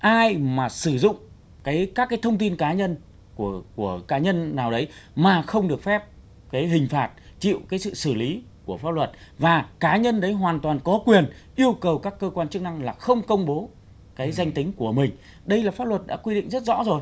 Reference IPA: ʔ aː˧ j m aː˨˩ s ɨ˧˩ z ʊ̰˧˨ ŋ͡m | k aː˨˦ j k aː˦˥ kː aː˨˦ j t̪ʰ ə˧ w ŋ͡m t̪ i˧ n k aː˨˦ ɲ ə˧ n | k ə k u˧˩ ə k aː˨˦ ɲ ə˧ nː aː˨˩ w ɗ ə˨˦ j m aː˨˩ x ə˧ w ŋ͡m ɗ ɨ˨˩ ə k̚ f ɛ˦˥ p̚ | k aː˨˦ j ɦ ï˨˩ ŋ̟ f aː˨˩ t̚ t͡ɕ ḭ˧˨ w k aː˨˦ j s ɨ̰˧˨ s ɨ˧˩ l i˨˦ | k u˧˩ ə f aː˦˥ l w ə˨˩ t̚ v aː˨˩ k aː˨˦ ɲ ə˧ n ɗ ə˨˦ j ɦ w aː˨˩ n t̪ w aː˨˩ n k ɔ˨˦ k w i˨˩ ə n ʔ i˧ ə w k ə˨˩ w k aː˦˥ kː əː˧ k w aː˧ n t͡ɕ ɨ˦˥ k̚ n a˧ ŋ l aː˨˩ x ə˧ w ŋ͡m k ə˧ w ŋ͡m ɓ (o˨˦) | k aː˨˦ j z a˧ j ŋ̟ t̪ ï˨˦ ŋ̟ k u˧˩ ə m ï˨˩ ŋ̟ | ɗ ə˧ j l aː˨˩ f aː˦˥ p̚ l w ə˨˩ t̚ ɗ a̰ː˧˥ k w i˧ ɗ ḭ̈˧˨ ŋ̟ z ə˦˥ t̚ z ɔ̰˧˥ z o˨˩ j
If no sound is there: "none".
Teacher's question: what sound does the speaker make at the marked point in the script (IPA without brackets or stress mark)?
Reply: o˨˦